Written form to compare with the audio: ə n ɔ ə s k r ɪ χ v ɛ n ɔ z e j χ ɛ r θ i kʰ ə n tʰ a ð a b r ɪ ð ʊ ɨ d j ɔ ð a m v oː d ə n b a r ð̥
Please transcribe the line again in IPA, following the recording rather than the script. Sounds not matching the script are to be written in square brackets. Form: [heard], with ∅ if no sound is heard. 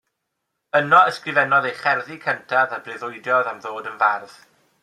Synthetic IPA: ə n ɔ ə s k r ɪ [∅] v ɛ n ɔ [ð] e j χ ɛ r [ð] i kʰ ə n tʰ a ð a b r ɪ ð ʊ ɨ d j ɔ ð a m [ð] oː d ə n [v] a r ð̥